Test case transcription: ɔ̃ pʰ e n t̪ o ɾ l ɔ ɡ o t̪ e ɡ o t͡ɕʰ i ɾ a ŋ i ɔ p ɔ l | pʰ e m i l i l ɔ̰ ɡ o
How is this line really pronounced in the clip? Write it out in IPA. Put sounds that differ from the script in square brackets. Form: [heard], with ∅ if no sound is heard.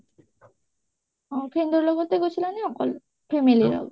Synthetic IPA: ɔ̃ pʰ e n [d̪] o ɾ l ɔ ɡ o t̪ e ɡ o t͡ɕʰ i [l] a [n] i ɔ [k] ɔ l | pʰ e m i l i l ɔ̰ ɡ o